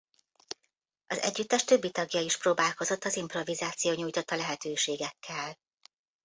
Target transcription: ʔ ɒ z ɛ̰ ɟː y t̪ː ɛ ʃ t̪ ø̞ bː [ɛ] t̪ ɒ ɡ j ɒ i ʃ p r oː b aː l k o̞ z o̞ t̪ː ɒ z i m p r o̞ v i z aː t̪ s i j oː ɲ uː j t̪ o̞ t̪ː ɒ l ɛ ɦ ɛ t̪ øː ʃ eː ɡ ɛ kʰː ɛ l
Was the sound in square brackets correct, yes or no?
no